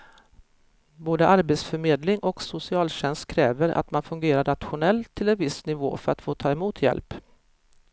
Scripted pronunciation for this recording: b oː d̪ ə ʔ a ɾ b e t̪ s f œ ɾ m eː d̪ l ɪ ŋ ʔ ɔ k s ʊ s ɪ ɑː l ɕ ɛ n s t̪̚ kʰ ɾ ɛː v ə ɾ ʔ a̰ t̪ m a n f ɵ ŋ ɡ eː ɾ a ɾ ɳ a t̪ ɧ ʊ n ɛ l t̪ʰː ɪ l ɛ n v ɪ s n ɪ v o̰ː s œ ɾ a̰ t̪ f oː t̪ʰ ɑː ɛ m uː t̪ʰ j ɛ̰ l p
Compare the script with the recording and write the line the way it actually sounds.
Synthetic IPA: b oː d̪ ə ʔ a ɾ b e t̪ s f œ ɾ m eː d̪ l ɪ ŋ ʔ ɔ k s ʊ s ɪ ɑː l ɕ ɛ n s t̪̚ kʰ ɾ ɛː v ə ɾ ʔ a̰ t̪ m a n f ɵ ŋ ɡ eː ɾ a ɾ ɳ a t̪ ɧ ʊ n ɛ l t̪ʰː ɪ l ɛ n v ɪ s n ɪ v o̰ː f œ ɾ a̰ t̪ f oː t̪ʰ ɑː ɛ m uː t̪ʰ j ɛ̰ l p